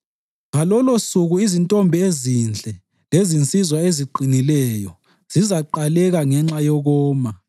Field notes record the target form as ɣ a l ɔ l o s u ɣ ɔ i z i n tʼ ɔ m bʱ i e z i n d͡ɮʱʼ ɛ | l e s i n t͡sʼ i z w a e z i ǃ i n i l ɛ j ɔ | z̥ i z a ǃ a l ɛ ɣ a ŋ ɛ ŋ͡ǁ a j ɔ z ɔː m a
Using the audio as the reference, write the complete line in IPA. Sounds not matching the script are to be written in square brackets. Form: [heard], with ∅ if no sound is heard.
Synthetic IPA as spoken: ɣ a l ɔ l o s u ɣ [u] i z i n tʼ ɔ m bʱ i e z i n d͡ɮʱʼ ɛ | l e [z] i n t͡sʼ i z w a e z i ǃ i n i l ɛ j ɔ | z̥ i z a ǃ a l ɛ ɣ a ŋ ɛ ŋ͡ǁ a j ɔ [ɣ] ɔː m a